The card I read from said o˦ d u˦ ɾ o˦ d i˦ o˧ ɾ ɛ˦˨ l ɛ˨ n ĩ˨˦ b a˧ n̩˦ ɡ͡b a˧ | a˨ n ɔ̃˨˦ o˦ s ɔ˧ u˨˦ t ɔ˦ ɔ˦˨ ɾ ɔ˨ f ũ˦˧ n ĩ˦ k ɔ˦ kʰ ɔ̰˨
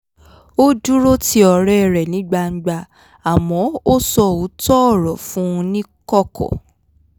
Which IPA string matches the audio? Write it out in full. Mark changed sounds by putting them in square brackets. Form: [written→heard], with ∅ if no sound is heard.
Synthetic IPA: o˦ d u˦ ɾ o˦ [d→t] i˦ [o˧→ɔ˧] ɾ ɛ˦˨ [l→ɾ] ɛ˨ n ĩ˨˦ [b→ɡ͡b] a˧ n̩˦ ɡ͡b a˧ | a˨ [n→m] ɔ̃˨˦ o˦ s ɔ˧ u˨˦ t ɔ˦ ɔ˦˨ ɾ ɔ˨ f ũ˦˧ n ĩ˦ k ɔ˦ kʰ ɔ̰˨